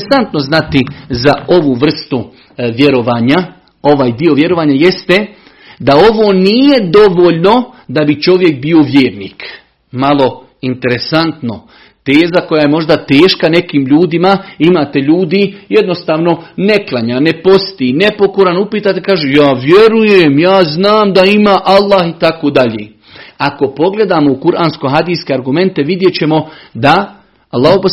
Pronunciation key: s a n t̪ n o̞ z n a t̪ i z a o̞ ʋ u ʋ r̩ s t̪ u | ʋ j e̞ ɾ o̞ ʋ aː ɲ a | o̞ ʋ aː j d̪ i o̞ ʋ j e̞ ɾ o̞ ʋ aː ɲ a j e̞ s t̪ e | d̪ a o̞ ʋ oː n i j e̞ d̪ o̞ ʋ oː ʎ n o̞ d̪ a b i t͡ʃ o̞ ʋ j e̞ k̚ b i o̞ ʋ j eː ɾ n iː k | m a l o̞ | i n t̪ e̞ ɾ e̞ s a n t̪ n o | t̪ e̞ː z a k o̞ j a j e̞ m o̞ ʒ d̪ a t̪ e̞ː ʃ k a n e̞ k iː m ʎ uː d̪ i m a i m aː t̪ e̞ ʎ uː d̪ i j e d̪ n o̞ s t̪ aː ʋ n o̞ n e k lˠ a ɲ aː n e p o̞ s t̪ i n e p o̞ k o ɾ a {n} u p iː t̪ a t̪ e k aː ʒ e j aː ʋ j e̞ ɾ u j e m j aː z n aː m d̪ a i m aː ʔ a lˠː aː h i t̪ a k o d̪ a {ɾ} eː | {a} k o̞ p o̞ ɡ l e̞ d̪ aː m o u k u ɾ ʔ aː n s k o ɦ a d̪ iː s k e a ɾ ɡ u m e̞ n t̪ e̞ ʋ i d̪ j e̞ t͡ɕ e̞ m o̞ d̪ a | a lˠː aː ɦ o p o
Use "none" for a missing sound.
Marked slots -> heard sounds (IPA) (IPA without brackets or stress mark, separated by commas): n, ʎ, a